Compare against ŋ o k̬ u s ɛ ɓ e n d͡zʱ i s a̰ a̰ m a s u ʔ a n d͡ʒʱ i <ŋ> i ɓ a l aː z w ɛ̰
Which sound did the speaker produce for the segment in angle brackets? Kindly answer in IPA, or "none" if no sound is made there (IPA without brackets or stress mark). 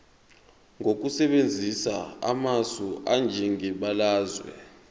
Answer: ŋ